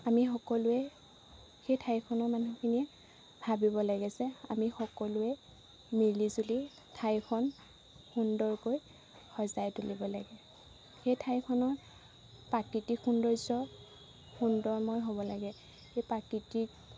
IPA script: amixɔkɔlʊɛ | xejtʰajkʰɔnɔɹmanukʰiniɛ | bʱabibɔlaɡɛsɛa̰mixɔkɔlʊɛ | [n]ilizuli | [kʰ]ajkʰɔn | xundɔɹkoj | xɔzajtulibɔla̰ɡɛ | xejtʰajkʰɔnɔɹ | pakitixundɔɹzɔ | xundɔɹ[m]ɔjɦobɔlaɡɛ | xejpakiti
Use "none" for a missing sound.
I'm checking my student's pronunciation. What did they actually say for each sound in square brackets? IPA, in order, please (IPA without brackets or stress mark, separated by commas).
m, tʰ, m